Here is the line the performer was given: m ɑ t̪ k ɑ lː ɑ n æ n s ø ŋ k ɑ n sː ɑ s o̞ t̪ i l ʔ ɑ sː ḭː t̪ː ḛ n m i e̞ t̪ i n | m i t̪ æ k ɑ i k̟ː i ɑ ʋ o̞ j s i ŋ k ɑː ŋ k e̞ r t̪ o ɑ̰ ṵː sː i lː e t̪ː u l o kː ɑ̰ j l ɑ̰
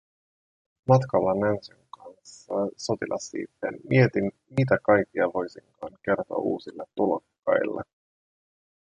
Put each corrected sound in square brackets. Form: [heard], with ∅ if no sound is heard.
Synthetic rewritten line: m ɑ t̪ k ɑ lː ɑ n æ n s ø ŋ k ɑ n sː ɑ s o̞ t̪ i l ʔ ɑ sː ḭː t̪ː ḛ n m i e̞ t̪ i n | m i t̪ æ k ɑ [j] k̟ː i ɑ ʋ o̞ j s i ŋ k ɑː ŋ k e̞ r t̪ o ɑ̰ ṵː [s] i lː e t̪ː u l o kː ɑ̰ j [lː] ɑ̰